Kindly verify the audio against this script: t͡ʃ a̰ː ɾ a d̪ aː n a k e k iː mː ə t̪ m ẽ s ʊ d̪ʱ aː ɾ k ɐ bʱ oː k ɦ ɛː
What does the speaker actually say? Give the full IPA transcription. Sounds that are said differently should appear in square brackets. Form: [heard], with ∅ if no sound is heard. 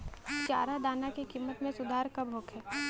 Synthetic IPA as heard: t͡ʃ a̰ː ɾ a d̪ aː n a k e k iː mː ə t̪ m ẽ s ʊ d̪ʱ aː ɾ k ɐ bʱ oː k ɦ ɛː